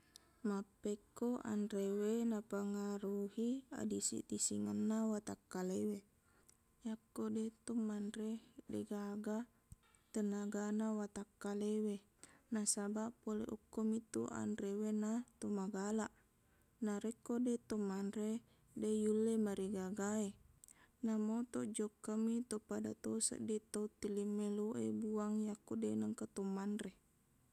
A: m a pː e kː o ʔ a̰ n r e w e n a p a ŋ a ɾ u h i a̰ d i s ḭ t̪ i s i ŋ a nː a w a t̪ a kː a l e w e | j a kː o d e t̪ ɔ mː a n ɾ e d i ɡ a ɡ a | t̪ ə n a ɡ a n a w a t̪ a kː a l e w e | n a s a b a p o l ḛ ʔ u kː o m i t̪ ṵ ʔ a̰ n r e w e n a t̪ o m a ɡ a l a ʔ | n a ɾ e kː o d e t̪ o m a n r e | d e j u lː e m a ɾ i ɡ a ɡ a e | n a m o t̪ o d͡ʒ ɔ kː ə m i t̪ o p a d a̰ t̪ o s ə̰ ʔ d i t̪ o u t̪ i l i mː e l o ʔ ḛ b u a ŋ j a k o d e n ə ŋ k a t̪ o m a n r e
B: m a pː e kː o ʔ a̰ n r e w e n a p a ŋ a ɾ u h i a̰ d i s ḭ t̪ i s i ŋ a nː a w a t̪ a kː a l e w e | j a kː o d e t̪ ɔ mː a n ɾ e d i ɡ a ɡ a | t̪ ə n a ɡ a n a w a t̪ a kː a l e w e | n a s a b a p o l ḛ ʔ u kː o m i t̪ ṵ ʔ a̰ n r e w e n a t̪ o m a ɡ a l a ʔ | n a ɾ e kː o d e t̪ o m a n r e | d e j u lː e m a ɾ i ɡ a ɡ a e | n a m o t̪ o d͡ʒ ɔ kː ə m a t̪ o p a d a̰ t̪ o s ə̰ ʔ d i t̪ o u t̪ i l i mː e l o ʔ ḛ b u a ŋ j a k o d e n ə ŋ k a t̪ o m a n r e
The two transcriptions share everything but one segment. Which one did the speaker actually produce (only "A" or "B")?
A